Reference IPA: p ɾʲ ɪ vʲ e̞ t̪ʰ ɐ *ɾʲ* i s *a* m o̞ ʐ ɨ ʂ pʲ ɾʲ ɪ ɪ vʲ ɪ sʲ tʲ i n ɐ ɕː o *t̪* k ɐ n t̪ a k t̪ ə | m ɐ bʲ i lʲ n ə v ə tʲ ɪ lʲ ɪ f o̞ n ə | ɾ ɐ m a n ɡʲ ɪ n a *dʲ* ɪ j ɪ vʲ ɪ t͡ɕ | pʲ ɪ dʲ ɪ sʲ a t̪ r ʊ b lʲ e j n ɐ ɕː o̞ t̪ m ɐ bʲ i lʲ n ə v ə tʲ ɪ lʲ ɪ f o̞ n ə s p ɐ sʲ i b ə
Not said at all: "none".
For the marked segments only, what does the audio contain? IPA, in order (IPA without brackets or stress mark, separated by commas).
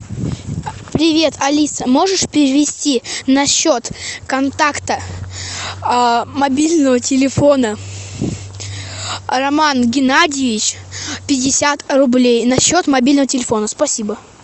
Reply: lʲ, ə, t̪, dʲ